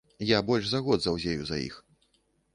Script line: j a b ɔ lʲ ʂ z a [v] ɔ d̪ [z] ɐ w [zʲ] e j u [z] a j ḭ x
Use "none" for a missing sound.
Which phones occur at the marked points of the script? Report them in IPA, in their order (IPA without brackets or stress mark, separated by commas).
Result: ɣ, z, zʲ, z